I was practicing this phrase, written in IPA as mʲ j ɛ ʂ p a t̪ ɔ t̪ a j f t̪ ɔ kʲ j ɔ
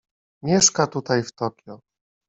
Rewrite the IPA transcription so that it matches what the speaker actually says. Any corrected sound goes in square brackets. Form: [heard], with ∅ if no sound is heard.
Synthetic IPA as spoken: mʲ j ɛ ʂ [k] a t̪ [u] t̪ a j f t̪ ɔ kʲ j ɔ